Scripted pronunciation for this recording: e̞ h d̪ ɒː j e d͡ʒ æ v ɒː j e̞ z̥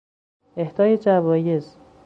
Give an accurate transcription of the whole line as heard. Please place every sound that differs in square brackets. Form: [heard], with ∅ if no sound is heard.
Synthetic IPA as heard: e̞ h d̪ ɒː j e d͡ʒ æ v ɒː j e̞ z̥